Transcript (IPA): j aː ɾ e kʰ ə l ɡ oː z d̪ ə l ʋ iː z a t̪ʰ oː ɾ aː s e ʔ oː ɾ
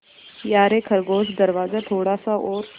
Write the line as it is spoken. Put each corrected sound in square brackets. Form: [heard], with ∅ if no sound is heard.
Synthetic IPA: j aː ɾ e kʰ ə [ɾ] ɡ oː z d̪ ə [ɾ] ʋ [aː] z a t̪ʰ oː [ɽ] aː s [a] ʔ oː ɾ